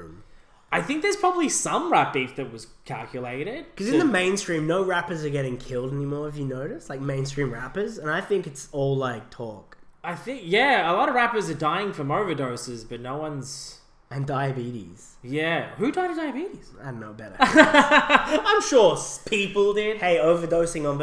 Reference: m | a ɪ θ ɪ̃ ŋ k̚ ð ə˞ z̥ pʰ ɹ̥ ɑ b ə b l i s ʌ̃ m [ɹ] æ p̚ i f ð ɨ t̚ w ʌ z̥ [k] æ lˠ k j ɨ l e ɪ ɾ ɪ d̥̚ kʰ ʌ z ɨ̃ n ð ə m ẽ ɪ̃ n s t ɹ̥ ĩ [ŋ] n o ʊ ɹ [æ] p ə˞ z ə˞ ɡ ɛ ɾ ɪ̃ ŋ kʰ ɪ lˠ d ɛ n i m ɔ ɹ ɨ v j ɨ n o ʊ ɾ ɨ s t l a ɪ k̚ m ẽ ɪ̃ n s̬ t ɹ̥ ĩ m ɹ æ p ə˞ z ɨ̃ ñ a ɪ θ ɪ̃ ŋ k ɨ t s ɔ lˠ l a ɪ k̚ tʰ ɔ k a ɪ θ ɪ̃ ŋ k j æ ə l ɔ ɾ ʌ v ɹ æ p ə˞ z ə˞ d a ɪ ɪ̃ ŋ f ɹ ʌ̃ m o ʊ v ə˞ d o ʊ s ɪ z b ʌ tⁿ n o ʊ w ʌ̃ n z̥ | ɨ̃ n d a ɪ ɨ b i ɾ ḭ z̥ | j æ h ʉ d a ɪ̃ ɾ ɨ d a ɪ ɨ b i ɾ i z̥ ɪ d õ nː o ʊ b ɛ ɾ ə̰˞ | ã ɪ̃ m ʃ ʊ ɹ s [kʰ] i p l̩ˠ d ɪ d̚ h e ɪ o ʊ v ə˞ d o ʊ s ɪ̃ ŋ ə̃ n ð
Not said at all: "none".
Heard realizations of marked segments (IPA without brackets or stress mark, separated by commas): ɹ, kʰ, m, æ, pʰ